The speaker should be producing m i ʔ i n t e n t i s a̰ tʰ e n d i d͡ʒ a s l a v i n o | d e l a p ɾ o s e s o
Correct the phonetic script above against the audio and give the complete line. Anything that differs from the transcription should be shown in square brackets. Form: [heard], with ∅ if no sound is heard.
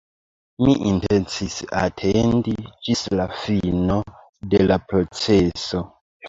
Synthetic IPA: m i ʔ i n t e n [t͡s] i s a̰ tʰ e n d i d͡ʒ [i] s l a [f] i n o | d e l a p ɾ o [t͡s] e s o